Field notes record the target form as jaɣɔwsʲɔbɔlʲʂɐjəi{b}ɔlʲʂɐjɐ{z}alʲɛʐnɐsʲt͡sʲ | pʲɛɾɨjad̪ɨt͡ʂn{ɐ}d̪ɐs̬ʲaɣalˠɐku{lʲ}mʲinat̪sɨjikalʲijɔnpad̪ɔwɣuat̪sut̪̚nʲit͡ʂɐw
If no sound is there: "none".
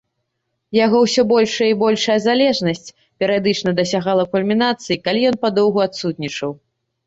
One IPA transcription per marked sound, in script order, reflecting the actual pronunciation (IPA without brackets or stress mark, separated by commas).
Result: b, z, ɐ, lʲ